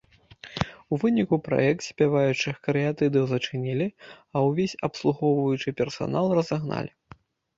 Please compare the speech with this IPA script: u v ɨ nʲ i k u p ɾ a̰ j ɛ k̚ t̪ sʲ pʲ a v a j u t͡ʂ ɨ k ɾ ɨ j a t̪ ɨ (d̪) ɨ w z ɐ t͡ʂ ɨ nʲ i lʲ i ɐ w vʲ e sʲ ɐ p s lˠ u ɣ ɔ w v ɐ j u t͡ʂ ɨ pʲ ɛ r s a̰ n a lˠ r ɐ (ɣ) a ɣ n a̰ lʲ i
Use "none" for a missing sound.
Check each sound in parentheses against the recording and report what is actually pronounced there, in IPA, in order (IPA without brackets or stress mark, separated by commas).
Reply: d̪, z